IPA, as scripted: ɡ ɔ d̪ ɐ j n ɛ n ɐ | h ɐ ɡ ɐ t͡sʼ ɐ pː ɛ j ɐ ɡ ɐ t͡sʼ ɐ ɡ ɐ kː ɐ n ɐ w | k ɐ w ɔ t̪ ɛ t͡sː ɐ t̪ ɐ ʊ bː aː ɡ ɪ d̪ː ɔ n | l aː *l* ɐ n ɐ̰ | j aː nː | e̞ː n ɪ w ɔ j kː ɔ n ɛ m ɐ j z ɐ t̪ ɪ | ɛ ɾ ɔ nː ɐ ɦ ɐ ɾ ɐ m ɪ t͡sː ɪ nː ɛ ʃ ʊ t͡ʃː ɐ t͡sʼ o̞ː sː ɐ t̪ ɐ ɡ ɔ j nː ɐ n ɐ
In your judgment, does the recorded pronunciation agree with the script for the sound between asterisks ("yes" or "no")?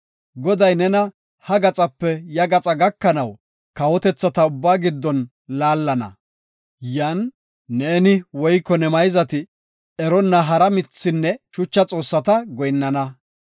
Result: no